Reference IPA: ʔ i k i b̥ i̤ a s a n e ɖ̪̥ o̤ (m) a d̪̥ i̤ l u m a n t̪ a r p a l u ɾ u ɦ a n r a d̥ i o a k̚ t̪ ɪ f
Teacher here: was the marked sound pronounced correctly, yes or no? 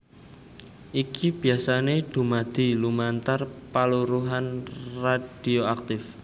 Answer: yes